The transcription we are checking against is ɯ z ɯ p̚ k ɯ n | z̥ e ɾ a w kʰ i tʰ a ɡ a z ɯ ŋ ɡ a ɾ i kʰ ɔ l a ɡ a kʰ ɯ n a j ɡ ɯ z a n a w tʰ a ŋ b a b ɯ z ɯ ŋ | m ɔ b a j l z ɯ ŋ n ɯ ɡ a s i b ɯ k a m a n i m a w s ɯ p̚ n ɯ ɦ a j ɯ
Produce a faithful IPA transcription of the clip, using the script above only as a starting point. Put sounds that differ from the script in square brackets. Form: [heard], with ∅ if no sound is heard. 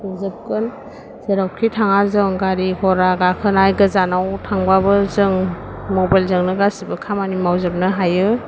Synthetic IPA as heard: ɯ z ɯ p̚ k ɯ n | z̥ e ɾ a w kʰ i tʰ a [ŋ] a z ɯ ŋ ɡ a ɾ i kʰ ɔ [ɾ] a ɡ a kʰ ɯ n a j ɡ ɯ z a n a w tʰ a ŋ b a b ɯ z ɯ ŋ | m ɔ b a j l z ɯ ŋ n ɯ ɡ a s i b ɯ [kʰ] a m a n i m a w [z] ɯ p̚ n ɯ ɦ a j ɯ

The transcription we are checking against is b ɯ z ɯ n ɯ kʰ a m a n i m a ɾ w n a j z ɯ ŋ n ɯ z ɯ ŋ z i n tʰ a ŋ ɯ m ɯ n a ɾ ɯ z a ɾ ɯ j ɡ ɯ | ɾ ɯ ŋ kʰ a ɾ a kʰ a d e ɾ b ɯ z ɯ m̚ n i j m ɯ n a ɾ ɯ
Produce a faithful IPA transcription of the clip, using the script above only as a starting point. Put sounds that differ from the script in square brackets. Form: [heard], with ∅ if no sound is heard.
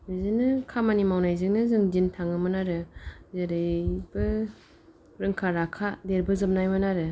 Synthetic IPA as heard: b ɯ z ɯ n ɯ kʰ a m a n i m a [∅] w n a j z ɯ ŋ n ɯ z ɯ ŋ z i n tʰ a ŋ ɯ m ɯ n a ɾ ɯ z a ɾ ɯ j [b] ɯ | ɾ ɯ ŋ kʰ a ɾ a kʰ a d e ɾ b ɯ z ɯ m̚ n [a] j m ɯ n a ɾ ɯ

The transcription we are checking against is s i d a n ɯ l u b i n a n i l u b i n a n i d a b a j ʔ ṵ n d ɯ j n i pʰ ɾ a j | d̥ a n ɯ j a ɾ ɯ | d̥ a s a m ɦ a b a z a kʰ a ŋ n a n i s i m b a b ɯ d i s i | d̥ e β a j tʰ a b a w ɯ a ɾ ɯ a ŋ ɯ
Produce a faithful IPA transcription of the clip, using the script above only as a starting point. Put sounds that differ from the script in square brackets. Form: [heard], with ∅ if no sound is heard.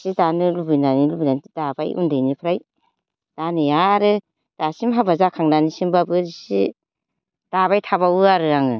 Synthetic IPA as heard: s i d a n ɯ l u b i n a n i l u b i n a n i d a b a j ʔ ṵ n d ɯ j n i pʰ ɾ a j | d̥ a n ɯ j a ɾ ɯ | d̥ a s [i] m ɦ a b a z a kʰ a ŋ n a n i s i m b a b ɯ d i s i | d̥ [a] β a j tʰ a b a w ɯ a ɾ ɯ a ŋ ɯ

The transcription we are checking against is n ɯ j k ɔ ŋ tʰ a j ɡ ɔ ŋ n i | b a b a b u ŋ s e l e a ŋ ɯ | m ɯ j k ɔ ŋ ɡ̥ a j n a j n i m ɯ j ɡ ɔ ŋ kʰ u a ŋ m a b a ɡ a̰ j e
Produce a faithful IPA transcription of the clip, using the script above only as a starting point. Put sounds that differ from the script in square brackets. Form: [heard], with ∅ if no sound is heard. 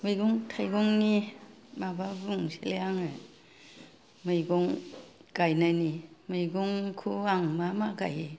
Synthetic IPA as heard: [m] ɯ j [ɡ] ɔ ŋ tʰ a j ɡ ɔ ŋ n i | [m] a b a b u ŋ s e l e a ŋ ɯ | m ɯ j [ɡ] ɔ ŋ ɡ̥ a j n a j n i m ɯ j ɡ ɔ ŋ kʰ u a ŋ m a [m] a ɡ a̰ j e

